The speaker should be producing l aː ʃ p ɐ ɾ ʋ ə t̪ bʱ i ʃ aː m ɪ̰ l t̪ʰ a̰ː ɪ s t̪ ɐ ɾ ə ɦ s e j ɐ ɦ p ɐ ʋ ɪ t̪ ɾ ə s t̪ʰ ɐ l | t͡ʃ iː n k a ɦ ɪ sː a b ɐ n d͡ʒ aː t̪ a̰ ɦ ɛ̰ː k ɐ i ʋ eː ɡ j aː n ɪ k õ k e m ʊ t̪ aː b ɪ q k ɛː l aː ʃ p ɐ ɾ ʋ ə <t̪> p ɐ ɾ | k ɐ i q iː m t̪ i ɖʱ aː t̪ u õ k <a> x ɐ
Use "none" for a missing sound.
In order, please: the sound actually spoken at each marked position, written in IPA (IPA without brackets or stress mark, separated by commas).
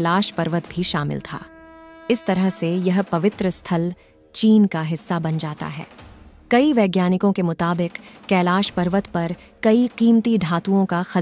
t̪, a